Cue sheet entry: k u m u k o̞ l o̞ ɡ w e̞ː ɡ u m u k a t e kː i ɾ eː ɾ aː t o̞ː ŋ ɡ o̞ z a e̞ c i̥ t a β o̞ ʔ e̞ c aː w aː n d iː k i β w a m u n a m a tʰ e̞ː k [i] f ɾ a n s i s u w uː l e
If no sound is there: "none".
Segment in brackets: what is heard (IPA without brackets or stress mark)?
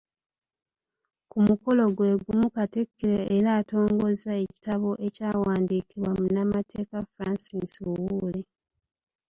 a